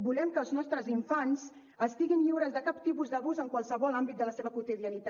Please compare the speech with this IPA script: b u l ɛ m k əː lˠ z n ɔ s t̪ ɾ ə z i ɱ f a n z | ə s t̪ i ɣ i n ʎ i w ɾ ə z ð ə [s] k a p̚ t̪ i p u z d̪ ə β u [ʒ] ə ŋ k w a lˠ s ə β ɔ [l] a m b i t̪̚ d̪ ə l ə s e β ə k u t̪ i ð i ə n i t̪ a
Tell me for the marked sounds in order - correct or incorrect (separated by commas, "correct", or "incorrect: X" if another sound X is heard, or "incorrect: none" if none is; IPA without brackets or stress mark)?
incorrect: none, incorrect: z, correct